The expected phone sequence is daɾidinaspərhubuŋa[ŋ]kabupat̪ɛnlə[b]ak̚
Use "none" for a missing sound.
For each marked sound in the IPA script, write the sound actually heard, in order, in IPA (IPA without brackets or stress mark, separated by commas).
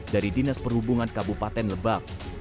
n, b